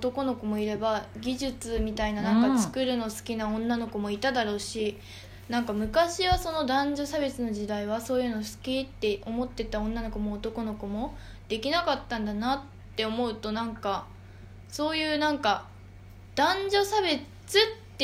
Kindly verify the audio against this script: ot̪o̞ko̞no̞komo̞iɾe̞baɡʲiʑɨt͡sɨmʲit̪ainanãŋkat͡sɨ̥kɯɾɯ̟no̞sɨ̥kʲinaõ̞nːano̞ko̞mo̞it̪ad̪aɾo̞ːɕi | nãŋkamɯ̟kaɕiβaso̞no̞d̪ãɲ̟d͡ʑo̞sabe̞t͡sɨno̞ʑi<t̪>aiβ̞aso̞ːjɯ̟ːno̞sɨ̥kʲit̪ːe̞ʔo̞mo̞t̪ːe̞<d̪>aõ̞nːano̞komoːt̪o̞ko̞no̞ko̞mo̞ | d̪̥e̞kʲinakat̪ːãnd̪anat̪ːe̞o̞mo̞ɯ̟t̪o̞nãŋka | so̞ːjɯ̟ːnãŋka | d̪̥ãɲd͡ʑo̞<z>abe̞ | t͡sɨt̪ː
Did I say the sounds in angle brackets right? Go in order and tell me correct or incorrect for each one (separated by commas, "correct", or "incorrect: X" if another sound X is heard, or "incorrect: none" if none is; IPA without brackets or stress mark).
incorrect: d̪, incorrect: t̪, incorrect: s